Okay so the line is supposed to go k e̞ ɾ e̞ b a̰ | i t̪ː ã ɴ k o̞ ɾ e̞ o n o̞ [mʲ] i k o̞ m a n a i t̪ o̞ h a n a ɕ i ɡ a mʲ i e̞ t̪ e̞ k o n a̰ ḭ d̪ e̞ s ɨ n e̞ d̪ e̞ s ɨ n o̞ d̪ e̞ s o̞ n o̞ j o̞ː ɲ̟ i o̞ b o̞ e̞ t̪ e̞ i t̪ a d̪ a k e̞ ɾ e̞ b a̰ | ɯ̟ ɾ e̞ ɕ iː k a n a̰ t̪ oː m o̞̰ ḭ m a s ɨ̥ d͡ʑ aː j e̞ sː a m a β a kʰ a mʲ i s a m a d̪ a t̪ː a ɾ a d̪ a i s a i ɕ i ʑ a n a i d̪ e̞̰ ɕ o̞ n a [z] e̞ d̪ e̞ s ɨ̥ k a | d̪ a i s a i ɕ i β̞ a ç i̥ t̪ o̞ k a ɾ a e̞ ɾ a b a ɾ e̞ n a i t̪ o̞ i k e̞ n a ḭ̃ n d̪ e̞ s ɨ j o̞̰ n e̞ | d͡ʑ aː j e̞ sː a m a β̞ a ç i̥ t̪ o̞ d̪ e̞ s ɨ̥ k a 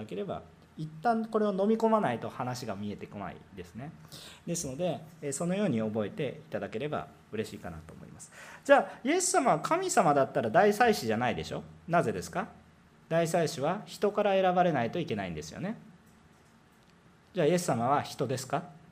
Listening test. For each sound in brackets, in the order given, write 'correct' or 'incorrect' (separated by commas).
correct, correct